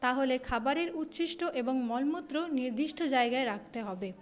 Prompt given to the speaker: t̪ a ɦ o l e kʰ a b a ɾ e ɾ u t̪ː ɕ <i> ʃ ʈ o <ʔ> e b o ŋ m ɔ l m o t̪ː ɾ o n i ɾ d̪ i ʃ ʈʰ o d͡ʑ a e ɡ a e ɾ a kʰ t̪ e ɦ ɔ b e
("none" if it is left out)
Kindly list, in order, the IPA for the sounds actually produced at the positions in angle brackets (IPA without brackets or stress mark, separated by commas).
i, ʔ